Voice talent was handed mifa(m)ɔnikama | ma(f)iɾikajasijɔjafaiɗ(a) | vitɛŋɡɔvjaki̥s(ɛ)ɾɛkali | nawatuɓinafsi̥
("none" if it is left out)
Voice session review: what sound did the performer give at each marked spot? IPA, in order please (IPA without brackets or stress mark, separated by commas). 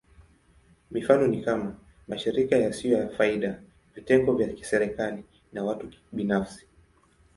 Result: n, ʃ, a, ɛ